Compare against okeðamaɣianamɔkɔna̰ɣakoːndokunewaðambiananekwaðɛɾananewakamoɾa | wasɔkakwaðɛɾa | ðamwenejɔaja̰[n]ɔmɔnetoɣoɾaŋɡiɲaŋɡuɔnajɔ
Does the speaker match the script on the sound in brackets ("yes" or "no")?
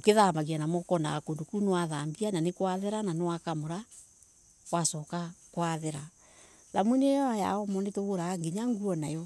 no